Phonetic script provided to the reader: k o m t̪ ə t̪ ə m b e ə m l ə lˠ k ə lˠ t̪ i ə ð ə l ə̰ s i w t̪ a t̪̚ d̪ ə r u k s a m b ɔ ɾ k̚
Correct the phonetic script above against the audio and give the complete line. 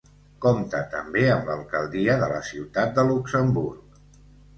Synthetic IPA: k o m t̪ ə t̪ ə m b e ə m l ə lˠ k ə lˠ d̪ i ə ð ə l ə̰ s i w t̪ a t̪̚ d̪ ə l u k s ə m b u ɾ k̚